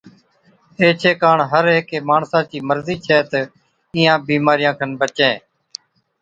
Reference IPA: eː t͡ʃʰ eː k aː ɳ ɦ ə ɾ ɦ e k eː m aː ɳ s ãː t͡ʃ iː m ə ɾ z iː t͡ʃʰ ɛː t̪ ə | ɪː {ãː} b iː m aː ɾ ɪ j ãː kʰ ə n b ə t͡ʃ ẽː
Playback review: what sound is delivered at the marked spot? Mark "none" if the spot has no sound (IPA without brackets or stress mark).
ãː